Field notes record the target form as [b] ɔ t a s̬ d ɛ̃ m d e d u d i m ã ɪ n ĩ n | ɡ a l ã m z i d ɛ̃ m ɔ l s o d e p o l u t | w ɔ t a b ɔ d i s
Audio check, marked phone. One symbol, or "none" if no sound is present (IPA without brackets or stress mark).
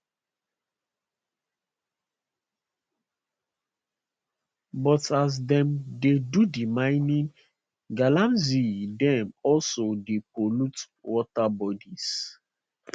b